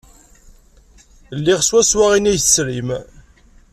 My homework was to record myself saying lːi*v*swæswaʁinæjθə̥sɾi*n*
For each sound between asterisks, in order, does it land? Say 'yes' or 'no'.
no, no

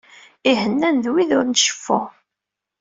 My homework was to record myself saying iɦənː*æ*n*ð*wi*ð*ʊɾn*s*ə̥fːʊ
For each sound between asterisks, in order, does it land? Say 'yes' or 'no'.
yes, yes, yes, no

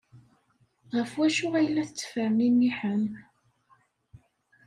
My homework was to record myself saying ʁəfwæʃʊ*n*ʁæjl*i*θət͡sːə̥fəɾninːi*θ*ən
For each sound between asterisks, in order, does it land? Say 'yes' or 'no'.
no, no, no

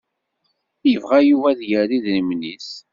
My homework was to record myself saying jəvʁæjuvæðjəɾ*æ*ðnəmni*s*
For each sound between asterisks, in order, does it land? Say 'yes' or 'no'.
no, yes

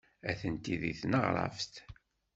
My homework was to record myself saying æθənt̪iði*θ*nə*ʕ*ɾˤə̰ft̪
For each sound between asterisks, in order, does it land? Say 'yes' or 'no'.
yes, no

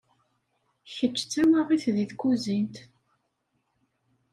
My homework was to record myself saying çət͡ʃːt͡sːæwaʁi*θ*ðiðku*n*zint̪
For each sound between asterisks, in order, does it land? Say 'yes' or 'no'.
yes, no

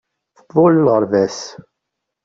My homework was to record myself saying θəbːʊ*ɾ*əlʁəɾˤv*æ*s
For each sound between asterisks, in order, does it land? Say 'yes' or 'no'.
no, yes

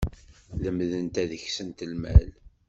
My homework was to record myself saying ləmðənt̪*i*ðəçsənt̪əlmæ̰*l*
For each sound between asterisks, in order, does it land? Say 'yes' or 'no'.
no, yes

